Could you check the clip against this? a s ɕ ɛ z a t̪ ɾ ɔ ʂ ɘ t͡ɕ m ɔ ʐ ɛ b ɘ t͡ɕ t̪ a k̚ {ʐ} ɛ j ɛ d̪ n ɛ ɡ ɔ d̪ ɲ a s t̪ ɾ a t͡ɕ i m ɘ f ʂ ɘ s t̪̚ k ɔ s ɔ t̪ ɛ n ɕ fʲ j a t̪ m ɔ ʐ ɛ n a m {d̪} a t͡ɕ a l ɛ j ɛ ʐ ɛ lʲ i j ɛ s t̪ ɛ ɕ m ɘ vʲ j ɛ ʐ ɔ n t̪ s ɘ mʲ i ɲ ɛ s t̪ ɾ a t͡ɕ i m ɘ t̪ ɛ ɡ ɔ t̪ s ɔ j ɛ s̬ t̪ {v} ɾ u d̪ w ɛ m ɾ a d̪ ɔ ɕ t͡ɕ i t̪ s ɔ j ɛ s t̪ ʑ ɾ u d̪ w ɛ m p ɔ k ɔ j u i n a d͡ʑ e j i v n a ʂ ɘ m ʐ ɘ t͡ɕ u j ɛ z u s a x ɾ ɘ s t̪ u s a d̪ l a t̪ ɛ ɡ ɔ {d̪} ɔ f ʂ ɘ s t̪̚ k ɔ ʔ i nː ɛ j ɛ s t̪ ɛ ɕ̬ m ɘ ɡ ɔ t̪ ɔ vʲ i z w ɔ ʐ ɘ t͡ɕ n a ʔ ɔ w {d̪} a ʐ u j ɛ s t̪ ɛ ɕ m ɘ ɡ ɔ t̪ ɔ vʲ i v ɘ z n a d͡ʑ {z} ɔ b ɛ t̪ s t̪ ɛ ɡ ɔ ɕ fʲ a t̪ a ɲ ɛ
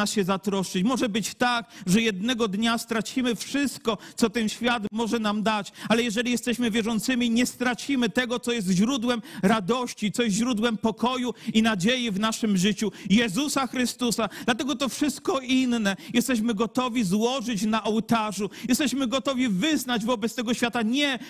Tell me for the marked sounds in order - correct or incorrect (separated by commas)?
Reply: correct, correct, incorrect, incorrect, incorrect, incorrect